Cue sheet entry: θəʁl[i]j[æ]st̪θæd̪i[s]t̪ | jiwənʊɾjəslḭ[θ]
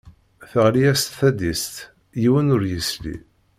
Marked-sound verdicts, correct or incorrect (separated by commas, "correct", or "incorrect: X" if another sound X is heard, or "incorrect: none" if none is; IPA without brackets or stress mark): correct, correct, correct, incorrect: none